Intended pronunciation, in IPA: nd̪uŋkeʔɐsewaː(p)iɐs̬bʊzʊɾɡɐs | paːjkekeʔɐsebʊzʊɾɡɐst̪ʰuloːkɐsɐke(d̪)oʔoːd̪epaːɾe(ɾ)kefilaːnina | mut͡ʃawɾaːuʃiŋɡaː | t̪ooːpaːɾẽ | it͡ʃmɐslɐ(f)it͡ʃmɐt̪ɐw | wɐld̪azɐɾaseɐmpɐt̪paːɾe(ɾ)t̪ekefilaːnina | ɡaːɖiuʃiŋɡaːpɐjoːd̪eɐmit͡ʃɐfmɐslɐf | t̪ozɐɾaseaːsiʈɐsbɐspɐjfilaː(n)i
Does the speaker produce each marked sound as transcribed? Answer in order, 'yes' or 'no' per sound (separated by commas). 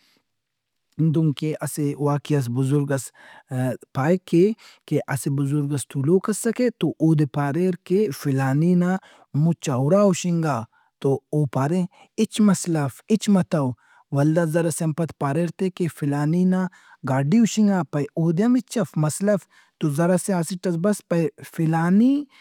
no, no, yes, yes, yes, yes